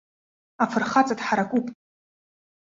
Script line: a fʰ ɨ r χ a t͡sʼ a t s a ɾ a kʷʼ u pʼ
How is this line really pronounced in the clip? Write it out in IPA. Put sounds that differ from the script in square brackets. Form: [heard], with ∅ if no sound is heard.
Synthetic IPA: a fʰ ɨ r χ a t͡sʼ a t [ħ] a ɾ a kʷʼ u pʼ